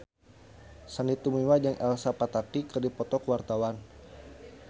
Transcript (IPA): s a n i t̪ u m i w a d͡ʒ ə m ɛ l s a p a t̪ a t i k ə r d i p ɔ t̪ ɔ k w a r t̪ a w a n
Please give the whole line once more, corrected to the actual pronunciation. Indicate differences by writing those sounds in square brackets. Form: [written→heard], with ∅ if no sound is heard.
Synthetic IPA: s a n i t̪ u m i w a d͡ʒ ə [m→ŋ] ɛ l s a p a t̪ a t i k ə r d i p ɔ t̪ ɔ k w a r t̪ a w a n